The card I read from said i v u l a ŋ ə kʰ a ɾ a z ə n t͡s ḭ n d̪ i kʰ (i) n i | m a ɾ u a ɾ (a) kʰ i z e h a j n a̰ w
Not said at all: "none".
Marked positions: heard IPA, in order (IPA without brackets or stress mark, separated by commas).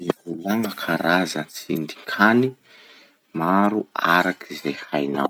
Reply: a, a